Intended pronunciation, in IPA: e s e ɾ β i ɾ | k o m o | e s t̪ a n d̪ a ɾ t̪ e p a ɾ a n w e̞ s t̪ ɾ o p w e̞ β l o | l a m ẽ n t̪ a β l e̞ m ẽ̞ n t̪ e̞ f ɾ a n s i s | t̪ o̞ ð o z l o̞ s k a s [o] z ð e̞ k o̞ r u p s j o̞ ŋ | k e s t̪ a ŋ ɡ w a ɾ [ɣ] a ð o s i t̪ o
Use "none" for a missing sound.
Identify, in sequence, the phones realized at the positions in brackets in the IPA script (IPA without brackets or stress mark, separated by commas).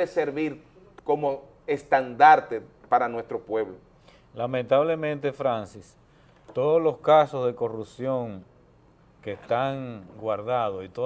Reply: o, ð